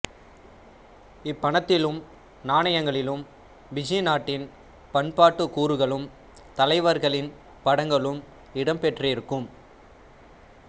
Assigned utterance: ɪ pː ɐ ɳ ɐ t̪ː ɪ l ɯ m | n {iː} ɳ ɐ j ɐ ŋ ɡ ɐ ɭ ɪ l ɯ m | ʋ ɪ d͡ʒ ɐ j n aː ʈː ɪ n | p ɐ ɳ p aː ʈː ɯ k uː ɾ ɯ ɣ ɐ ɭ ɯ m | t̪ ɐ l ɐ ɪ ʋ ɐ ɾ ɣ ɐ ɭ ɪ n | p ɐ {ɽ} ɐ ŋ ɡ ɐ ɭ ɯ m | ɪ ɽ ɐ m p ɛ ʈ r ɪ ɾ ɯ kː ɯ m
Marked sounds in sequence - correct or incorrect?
incorrect, correct

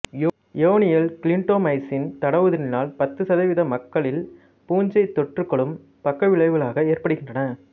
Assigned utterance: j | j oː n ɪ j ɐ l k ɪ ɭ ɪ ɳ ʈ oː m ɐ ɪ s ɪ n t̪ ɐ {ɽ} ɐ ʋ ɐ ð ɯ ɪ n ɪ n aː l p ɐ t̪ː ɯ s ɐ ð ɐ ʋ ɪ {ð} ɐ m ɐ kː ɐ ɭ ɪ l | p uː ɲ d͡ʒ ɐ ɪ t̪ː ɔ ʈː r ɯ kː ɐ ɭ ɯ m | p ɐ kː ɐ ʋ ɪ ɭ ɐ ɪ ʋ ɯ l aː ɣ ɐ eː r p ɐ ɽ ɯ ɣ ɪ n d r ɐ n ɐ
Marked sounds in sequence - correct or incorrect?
correct, correct

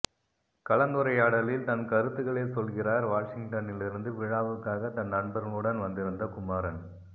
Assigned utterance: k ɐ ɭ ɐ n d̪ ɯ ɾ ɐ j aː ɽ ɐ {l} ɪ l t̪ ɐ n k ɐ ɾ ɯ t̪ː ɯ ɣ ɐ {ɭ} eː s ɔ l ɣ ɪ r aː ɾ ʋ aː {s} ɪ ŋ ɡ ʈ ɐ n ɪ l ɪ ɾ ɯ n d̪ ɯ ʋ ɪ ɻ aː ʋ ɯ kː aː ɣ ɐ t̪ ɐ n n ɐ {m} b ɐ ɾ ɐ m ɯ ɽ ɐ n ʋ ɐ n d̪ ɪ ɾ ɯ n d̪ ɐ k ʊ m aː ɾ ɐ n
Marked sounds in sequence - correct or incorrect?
correct, correct, incorrect, incorrect

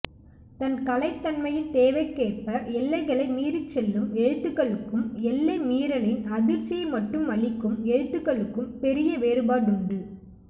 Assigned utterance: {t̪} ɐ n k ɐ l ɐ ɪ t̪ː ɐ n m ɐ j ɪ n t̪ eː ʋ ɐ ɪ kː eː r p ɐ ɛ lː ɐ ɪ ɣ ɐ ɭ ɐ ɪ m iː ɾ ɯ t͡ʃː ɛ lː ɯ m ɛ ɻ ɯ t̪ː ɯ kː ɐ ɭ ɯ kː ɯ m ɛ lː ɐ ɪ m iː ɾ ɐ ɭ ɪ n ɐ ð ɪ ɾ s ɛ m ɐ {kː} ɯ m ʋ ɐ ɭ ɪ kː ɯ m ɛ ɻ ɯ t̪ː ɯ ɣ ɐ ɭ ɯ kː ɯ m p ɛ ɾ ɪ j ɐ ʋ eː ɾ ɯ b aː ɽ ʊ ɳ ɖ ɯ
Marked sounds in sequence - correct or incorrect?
correct, incorrect

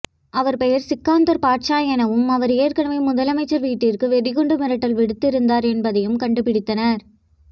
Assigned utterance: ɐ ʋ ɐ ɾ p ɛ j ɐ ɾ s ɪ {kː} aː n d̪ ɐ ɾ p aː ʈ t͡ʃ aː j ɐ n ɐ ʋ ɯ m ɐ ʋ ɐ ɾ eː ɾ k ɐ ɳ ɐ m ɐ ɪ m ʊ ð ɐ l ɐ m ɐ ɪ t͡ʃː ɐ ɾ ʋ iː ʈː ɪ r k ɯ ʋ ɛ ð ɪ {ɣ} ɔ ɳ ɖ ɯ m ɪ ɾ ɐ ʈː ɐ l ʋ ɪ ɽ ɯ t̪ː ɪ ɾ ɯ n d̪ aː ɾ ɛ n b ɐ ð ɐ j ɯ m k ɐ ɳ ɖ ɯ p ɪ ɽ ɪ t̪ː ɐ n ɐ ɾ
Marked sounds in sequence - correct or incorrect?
correct, correct

